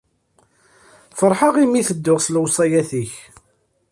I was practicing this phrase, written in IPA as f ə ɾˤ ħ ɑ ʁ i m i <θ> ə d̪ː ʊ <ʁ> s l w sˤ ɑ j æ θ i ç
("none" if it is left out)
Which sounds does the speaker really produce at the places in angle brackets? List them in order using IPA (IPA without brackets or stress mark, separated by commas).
θ, ʁ